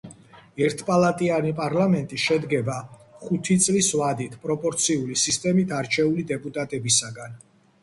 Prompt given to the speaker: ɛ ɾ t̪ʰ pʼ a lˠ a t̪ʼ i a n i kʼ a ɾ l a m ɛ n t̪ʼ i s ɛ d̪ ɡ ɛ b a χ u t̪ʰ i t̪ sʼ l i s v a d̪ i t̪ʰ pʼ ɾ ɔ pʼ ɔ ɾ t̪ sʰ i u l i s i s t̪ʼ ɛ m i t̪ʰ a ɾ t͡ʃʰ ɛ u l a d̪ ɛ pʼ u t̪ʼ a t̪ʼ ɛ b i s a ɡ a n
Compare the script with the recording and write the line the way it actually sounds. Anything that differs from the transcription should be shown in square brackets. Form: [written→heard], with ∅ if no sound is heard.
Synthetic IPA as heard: ɛ ɾ t̪ʰ pʼ a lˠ a t̪ʼ i a n i [kʼ→pʼ] a ɾ l a m ɛ n t̪ʼ i [s→ʃ] ɛ d̪ ɡ ɛ b a χ u t̪ʰ i t̪ sʼ l i s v a d̪ i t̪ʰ pʼ ɾ ɔ pʼ ɔ ɾ t̪ sʰ i u l i s i s t̪ʼ ɛ m i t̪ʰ a ɾ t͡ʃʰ ɛ u l [a→i] d̪ ɛ pʼ u t̪ʼ a t̪ʼ ɛ b i s a ɡ a n